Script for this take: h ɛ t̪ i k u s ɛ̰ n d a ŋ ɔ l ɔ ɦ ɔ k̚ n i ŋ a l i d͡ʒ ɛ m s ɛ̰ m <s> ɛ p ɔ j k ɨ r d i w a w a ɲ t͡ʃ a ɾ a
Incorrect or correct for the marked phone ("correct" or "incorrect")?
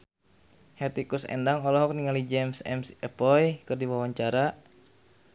correct